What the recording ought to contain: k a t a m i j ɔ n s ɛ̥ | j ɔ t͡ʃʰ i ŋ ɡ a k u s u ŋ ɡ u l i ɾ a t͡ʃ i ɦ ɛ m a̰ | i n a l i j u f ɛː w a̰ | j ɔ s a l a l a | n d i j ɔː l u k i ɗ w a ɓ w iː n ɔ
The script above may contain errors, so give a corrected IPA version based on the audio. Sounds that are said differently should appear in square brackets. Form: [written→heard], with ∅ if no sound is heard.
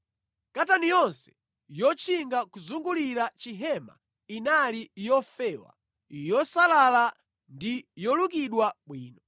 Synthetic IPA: k a t a [m→n] i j ɔ n s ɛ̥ | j ɔ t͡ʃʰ i ŋ ɡ a k u [s→z] u ŋ ɡ u l i ɾ a t͡ʃ i ɦ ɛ m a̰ | i n a l i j [u→ɔ] f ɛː w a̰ | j ɔ s a l a l a | n d i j [ɔː→ɔ] l u k i ɗ w a ɓ w iː n ɔ